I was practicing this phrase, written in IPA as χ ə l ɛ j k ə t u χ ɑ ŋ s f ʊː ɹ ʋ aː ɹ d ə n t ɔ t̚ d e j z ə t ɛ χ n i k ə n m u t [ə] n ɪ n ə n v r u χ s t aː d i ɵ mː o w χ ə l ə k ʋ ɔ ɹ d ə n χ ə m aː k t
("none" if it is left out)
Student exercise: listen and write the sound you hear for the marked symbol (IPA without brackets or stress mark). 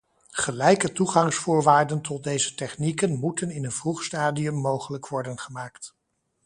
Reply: ə